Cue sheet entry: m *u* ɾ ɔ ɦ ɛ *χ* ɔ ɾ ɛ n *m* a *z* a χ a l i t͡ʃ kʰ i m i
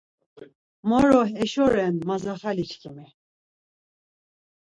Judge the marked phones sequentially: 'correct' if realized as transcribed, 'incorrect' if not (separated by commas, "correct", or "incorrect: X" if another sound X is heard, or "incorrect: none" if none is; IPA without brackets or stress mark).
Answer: incorrect: ɔ, incorrect: ʃ, correct, correct